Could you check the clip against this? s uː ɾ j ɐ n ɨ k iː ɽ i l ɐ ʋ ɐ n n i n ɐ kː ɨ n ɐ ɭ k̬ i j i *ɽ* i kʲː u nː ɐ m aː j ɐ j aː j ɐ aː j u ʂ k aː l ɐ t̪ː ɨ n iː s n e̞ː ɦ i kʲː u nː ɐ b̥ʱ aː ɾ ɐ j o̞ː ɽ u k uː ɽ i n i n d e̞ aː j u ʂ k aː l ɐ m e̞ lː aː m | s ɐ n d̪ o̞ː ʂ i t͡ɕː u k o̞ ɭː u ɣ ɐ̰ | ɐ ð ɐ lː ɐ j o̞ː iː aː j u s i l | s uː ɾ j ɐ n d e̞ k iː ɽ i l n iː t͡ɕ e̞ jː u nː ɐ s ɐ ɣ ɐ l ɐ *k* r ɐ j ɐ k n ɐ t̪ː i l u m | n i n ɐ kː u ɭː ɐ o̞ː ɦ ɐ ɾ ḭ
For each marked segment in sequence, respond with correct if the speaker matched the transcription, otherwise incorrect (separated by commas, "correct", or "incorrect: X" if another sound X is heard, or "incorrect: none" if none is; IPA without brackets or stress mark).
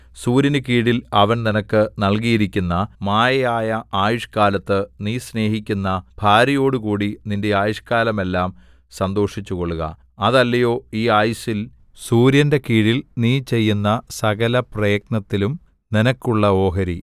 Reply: incorrect: ɾ, incorrect: p